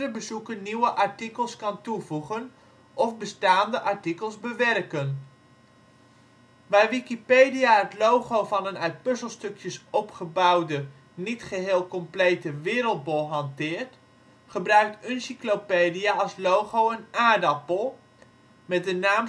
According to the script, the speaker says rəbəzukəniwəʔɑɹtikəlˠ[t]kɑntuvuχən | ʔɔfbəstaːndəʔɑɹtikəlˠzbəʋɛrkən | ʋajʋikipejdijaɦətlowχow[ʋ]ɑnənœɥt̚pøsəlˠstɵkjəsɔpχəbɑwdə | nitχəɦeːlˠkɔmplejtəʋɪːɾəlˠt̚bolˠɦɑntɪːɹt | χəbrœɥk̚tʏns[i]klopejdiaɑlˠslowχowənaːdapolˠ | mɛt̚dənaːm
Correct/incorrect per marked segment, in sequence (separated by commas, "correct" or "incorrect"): incorrect, incorrect, correct